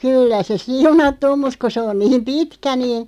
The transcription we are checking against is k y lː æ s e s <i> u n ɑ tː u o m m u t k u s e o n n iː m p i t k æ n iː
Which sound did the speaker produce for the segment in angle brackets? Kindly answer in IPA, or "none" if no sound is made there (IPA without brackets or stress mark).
i